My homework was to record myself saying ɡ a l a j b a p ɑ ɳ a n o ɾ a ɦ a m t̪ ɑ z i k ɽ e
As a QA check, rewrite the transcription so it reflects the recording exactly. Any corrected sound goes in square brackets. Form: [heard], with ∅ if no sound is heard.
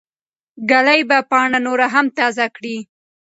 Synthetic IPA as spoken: ɡ a l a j b a p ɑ ɳ a n o ɾ a ɦ a m t̪ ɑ z [a] k ɽ [i]